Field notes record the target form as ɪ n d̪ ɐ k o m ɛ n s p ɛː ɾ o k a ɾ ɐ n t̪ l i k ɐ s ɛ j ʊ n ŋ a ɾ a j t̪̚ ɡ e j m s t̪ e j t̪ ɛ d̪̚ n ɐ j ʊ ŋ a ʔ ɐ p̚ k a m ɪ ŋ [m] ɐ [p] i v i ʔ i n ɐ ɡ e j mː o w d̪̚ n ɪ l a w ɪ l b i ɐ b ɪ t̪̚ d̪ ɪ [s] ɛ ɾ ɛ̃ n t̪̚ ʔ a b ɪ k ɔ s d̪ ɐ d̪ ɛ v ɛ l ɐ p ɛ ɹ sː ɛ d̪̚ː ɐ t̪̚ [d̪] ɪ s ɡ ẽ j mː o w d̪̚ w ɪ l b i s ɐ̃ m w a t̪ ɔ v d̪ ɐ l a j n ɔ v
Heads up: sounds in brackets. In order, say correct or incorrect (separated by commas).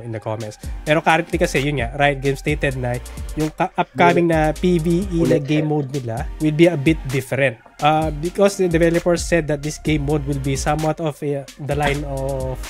incorrect, correct, incorrect, correct